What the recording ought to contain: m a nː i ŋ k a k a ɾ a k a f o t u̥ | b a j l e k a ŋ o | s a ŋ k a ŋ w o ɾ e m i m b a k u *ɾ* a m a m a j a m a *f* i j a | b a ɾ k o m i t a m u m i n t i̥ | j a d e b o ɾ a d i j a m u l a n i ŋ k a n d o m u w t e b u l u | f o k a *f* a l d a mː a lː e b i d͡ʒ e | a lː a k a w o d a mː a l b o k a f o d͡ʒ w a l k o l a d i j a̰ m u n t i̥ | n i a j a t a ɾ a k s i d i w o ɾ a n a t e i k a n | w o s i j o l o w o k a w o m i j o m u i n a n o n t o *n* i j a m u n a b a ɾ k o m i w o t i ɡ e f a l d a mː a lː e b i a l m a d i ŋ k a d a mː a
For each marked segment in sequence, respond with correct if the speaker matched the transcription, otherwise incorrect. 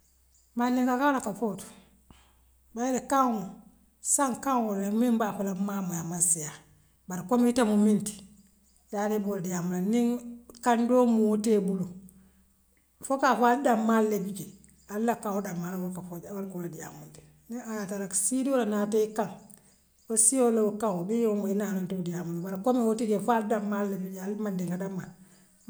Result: incorrect, incorrect, correct, incorrect

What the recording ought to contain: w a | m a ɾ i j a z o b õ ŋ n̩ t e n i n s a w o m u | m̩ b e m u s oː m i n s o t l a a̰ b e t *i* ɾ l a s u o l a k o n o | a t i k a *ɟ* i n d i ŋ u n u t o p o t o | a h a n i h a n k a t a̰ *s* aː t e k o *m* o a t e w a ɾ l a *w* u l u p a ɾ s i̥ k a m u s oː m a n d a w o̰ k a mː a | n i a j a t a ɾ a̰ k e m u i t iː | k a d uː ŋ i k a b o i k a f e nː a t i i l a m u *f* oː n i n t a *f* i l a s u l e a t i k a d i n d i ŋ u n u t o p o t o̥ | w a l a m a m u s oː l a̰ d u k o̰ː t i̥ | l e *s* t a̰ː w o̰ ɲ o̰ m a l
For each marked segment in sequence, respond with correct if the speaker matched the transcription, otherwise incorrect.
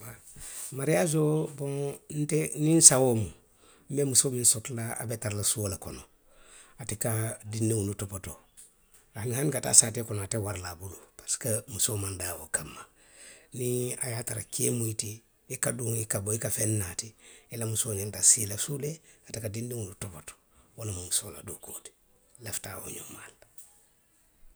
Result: incorrect, incorrect, correct, incorrect, incorrect, incorrect, incorrect, incorrect

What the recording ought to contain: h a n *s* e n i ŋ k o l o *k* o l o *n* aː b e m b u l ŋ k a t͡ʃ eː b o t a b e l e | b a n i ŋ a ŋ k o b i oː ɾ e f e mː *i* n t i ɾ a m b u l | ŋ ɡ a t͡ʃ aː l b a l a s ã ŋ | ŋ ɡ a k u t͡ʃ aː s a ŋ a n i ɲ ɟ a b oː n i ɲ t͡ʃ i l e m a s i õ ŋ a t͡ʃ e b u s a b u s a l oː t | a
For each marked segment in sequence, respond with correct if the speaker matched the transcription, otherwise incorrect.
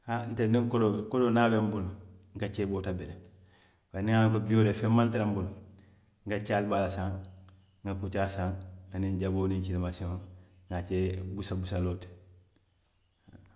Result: incorrect, correct, correct, incorrect

